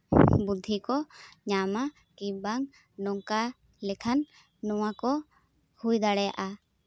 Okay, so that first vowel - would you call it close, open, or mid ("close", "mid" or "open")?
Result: close